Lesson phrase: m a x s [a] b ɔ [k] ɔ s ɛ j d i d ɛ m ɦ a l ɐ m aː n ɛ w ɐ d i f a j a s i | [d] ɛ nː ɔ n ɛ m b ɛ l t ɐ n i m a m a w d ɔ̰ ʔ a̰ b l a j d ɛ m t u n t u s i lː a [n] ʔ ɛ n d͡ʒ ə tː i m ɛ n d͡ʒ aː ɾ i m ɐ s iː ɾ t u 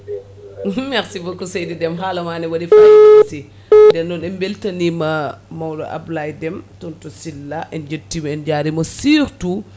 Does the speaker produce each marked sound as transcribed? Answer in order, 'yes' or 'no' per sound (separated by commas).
no, yes, yes, no